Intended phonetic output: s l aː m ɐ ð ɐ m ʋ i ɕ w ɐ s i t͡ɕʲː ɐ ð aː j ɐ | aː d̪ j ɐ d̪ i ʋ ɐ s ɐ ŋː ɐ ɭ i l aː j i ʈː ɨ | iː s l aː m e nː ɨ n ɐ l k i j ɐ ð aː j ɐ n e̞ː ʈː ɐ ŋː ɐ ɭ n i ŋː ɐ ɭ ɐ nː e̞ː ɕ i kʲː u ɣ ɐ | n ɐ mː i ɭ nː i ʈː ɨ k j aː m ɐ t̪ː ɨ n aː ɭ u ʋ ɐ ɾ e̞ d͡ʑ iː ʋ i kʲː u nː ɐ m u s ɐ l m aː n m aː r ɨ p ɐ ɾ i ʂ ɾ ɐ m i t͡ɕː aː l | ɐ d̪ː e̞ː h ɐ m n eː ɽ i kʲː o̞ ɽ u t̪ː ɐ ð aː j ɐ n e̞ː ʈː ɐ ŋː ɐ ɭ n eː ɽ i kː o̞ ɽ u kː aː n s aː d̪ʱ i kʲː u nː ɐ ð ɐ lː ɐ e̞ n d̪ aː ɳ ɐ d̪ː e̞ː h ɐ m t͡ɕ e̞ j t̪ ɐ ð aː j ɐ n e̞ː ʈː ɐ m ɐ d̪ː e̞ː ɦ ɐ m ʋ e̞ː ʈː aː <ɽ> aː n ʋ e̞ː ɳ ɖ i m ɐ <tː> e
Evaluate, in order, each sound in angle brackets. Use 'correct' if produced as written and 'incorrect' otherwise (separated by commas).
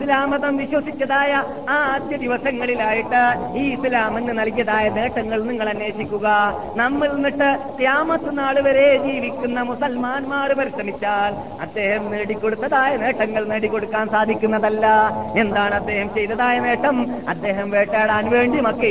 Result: correct, incorrect